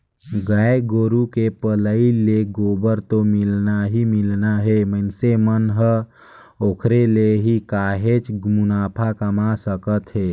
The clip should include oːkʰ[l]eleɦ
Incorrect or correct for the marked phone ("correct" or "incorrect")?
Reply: incorrect